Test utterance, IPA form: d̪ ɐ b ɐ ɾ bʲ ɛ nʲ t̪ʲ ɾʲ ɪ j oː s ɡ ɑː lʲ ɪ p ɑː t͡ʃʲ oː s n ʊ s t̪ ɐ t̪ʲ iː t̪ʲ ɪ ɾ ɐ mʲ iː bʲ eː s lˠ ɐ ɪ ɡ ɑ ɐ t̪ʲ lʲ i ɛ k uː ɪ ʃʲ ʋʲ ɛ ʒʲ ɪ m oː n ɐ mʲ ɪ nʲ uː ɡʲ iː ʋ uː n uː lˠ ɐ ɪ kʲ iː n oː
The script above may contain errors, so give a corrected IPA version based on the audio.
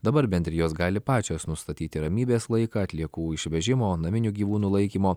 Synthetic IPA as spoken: d̪ ɐ b ɐ ɾ bʲ ɛ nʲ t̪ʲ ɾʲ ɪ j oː s ɡ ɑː lʲ ɪ p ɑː t͡ʃʲ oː s n ʊ s t̪ ɐ t̪ʲ iː t̪ʲ ɪ ɾ ɐ mʲ iː bʲ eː s lˠ ɐ ɪ k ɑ ɐ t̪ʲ lʲ i ɛ k uː ɪ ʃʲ ʋʲ ɛ ʒʲ ɪ m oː n ɐ mʲ ɪ nʲ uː ɡʲ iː ʋ uː n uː lˠ ɐ ɪ kʲ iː m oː